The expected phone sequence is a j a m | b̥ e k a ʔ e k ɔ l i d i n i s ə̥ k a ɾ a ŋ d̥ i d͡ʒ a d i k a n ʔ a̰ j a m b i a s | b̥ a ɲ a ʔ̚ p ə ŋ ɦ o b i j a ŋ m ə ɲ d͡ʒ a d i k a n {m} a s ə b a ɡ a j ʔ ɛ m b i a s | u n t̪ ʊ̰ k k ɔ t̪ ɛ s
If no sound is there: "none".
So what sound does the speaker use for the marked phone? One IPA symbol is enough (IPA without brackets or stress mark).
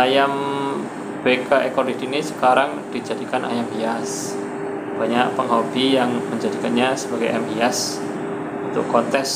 ɲ